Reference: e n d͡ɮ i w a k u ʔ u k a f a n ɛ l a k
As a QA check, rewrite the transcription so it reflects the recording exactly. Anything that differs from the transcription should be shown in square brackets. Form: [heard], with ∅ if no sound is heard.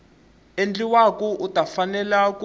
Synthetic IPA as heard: e n d͡ɮ i w a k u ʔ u [t] a f a n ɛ l a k